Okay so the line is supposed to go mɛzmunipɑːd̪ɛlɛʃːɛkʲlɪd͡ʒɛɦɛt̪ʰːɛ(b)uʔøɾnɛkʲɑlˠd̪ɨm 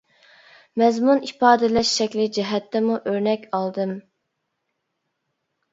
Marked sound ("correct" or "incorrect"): incorrect